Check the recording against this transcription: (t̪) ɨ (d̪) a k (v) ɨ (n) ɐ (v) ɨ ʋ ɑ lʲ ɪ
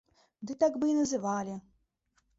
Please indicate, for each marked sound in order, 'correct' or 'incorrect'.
incorrect: d̪, incorrect: t̪, incorrect: b, correct, incorrect: z

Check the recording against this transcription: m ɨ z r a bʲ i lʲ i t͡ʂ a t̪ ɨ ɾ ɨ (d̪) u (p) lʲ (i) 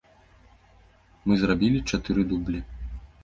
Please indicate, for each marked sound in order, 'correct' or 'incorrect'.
correct, incorrect: b, correct

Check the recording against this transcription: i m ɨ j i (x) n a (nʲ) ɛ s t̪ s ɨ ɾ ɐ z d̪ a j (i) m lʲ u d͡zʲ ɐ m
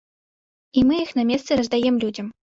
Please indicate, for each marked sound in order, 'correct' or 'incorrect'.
correct, incorrect: mʲ, incorrect: ɛ

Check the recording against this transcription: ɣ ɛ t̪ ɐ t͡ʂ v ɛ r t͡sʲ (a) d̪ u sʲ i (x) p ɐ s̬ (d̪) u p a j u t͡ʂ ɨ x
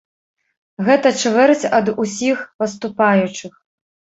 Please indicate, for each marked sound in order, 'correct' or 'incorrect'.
incorrect: ɐ, correct, incorrect: t̪

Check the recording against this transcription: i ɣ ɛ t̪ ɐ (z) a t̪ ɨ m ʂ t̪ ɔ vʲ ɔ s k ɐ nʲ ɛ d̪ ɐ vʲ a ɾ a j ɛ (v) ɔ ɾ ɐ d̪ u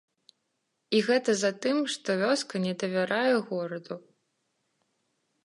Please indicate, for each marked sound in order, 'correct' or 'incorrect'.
correct, incorrect: ɣ

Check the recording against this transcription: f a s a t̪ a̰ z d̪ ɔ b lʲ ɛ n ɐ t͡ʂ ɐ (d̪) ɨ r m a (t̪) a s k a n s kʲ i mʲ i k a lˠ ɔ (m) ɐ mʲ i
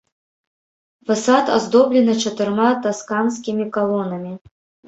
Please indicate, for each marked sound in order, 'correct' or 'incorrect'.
incorrect: t̪, correct, incorrect: n

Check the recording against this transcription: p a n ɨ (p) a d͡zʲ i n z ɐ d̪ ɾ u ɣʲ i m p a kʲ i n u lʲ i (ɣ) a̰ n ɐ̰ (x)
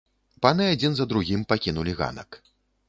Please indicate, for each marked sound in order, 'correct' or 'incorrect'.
incorrect: none, correct, incorrect: k

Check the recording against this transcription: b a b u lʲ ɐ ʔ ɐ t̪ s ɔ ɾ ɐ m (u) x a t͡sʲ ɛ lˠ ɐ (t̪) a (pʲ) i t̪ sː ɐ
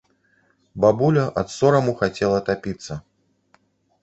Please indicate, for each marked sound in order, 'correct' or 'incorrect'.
correct, correct, correct

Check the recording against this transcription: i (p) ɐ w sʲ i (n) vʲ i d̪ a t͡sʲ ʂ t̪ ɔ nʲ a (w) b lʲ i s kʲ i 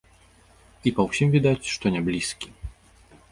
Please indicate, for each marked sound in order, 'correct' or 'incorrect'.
correct, incorrect: m, incorrect: none

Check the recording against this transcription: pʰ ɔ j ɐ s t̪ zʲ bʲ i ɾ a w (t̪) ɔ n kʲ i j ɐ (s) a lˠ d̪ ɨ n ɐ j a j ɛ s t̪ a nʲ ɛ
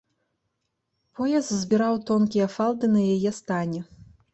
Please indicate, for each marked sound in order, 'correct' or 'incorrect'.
correct, incorrect: f

